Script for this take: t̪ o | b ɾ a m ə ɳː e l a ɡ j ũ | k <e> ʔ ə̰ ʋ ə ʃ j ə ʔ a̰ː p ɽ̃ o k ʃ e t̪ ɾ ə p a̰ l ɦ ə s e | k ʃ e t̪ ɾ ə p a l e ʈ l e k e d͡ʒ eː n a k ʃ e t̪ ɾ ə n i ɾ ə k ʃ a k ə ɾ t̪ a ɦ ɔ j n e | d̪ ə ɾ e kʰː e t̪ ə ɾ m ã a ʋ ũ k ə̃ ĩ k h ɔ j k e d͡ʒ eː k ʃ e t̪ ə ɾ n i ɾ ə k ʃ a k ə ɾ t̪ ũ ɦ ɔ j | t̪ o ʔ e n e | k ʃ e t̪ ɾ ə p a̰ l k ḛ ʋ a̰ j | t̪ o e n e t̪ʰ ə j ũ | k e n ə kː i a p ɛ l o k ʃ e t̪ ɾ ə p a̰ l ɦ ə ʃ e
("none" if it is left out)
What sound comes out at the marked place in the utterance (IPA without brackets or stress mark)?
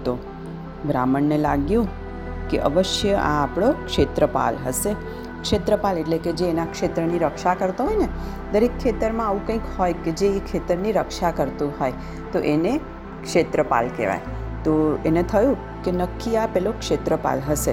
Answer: e